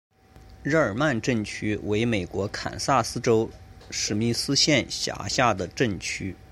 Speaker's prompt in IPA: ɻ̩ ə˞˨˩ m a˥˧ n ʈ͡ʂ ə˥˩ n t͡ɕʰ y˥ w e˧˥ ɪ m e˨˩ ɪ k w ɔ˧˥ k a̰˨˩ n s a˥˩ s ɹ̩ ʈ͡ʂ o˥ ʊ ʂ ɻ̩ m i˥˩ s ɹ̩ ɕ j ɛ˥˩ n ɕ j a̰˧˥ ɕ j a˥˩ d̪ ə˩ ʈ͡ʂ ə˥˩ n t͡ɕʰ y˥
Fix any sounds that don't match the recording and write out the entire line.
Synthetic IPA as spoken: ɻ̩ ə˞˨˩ m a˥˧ n ʈ͡ʂ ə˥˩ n t͡ɕʰ y˥ w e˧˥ ɪ m e˨˩ ɪ k w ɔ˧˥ kʰ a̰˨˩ n s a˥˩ s ɹ̩ ʈ͡ʂ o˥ ʊ ʂ ɻ̩ m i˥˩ s ɹ̩ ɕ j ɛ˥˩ n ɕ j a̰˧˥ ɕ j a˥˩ d̪ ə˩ ʈ͡ʂ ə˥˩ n t͡ɕʰ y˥